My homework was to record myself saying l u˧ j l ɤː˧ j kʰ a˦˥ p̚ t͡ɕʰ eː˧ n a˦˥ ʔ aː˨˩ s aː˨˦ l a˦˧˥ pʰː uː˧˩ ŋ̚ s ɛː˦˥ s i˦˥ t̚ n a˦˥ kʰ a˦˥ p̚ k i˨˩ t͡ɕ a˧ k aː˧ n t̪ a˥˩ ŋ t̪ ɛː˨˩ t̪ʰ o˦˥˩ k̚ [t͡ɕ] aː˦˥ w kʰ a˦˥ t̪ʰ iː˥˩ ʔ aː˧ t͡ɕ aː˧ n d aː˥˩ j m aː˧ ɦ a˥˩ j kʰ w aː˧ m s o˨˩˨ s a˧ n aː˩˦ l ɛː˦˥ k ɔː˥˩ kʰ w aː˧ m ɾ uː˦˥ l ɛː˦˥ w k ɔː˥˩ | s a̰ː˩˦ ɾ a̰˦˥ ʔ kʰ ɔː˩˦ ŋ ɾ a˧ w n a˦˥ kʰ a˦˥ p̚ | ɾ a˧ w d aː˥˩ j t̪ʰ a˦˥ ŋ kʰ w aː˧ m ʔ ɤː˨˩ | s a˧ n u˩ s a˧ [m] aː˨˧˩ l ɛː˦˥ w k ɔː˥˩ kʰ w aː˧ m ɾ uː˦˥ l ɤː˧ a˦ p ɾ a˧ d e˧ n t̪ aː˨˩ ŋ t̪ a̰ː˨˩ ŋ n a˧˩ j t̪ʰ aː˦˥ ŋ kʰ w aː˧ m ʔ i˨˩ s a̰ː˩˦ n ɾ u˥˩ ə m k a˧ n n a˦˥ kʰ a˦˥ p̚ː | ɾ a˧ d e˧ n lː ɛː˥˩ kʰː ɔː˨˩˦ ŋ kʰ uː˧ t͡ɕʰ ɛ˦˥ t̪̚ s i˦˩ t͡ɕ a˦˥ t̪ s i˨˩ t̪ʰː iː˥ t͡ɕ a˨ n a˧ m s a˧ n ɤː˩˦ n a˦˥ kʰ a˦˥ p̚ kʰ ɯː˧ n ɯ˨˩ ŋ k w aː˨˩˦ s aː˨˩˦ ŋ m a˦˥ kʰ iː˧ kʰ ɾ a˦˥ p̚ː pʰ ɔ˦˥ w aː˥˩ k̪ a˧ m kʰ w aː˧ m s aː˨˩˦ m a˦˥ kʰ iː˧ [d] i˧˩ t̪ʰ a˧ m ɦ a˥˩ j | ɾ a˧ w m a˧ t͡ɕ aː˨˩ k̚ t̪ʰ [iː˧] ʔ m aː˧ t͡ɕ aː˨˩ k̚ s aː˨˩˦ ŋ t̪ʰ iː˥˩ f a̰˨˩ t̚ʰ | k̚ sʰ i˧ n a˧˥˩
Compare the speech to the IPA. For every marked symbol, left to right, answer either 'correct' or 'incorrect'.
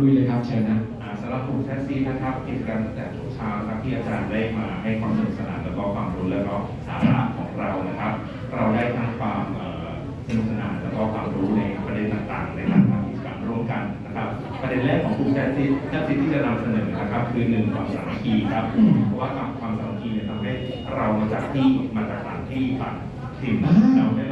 incorrect, incorrect, incorrect, incorrect

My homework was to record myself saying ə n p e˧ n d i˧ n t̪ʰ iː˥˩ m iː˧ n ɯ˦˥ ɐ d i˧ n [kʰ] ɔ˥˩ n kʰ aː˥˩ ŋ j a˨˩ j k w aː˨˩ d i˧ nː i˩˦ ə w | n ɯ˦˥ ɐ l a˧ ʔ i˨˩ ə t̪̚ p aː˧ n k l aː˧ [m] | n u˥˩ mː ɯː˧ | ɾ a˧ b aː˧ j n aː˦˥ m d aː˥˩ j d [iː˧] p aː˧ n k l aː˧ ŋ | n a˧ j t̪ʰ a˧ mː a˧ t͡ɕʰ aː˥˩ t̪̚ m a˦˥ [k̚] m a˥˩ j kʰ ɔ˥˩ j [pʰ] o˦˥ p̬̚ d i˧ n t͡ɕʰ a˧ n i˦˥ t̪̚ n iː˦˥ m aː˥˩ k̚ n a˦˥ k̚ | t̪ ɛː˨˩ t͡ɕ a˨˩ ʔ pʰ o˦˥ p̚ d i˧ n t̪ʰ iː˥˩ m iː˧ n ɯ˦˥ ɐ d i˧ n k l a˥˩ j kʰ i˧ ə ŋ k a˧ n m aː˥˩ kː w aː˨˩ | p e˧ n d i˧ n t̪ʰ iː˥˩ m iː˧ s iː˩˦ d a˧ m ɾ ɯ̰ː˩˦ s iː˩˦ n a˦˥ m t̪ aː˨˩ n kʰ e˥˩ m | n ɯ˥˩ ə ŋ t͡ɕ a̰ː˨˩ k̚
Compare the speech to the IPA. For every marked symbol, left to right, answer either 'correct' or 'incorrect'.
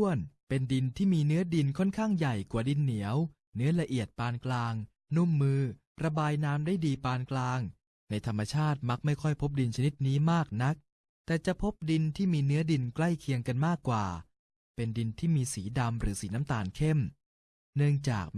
correct, incorrect, correct, correct, correct

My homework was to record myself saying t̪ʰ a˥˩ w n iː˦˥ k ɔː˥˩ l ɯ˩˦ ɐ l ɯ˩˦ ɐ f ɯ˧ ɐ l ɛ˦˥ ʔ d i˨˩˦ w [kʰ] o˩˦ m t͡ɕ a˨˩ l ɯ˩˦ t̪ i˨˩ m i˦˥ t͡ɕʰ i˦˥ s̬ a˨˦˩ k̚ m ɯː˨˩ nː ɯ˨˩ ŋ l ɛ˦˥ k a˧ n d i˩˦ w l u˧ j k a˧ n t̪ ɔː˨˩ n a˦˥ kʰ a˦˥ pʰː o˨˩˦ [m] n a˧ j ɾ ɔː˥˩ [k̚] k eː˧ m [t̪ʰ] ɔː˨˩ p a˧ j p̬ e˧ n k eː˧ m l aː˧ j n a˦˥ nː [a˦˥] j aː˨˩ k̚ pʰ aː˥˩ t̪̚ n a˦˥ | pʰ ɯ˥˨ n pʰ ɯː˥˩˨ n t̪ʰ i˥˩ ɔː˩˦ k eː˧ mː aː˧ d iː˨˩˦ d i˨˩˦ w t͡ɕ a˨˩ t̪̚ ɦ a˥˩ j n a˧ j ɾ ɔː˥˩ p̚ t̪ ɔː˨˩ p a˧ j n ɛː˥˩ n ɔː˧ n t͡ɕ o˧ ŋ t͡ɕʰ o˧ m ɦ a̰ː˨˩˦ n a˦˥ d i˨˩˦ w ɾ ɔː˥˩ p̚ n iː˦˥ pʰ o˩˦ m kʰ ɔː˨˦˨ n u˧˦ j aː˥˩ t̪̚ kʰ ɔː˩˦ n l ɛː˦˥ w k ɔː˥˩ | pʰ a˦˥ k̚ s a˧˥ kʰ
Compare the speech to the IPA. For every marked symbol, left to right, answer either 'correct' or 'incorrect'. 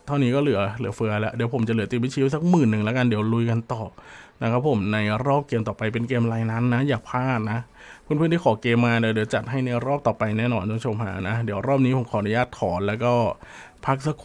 incorrect, correct, incorrect, incorrect, correct

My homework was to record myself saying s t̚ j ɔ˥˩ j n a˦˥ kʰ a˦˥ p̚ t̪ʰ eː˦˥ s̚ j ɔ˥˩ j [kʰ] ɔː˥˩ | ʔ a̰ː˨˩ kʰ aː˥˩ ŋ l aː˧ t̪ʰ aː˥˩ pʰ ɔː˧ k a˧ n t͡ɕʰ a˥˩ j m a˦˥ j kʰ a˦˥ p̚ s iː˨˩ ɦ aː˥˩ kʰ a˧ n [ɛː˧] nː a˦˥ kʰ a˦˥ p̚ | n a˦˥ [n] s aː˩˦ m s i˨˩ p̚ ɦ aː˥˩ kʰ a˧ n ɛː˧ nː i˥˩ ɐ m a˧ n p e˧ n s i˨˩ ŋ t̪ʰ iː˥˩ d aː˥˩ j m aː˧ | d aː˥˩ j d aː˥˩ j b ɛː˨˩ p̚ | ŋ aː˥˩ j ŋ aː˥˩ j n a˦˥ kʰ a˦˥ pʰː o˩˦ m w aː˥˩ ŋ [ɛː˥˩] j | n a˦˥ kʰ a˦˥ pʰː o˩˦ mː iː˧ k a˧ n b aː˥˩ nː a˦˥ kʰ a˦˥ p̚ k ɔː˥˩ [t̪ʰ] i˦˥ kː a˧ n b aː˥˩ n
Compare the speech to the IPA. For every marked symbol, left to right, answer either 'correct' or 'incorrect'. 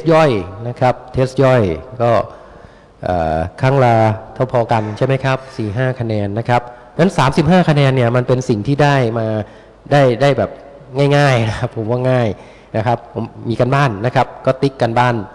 incorrect, correct, correct, incorrect, incorrect

